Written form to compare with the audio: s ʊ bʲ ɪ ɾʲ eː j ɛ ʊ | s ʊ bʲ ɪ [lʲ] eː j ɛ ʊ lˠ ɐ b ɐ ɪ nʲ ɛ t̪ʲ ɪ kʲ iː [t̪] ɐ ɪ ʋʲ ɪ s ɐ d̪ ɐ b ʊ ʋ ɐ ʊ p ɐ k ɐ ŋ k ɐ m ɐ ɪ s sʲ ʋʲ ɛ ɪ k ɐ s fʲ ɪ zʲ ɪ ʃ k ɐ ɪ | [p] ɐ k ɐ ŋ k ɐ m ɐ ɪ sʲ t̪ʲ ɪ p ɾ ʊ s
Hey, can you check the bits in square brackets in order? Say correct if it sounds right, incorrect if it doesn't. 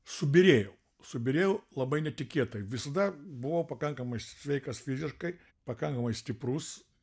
incorrect, correct, correct

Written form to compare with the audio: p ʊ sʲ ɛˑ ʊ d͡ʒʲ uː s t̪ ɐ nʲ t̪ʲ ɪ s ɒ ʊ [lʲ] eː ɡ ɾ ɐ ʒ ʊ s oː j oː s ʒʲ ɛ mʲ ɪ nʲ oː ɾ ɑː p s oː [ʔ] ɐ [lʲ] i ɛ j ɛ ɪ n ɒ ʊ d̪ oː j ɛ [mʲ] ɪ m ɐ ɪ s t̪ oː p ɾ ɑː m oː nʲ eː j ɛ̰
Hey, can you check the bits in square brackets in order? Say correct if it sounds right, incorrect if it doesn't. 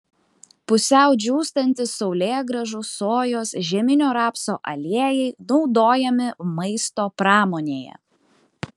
correct, correct, correct, correct

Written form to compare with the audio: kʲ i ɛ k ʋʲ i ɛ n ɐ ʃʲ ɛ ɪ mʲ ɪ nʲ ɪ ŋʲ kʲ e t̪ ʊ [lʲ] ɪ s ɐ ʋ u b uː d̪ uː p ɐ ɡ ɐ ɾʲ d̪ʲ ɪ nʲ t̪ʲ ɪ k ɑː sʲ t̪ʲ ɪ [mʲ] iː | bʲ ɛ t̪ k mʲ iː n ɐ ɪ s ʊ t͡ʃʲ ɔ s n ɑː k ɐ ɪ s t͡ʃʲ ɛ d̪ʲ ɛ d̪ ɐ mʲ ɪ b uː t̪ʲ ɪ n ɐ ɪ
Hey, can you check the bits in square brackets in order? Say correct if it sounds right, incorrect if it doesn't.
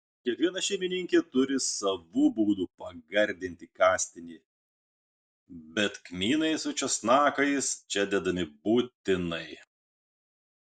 incorrect, incorrect

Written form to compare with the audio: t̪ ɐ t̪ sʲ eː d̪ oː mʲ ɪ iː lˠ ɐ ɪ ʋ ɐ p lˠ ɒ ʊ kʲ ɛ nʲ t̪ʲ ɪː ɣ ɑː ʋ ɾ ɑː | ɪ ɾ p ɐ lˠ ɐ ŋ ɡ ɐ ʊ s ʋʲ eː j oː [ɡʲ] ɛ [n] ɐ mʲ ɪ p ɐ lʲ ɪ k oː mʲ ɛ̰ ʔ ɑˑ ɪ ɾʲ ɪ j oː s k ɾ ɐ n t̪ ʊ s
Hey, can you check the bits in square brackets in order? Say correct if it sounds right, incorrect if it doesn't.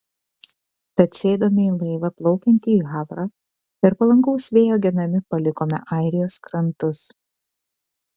correct, correct

